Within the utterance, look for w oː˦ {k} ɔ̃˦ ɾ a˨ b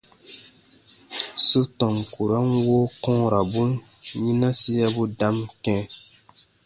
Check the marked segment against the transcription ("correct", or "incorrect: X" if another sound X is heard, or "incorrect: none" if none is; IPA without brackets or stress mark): correct